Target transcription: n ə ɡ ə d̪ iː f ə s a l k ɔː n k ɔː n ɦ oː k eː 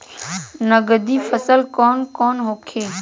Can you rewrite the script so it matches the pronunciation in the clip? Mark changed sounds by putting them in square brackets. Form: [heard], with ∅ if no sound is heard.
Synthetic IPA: n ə ɡ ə d̪ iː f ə s [ə] l k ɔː n k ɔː n ɦ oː [kʰ] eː